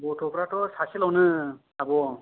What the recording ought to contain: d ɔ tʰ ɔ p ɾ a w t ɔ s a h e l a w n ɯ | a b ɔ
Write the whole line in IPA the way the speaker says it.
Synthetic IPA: b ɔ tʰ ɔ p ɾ a t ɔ s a s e l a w n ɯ | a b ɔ